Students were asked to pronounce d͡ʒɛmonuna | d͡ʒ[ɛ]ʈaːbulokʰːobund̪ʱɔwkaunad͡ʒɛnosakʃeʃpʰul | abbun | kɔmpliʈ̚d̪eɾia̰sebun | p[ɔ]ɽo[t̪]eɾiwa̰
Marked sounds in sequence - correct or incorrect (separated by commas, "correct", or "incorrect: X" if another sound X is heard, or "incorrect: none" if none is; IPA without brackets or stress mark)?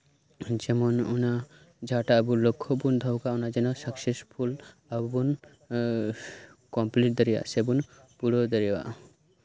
incorrect: a, incorrect: u, incorrect: d̪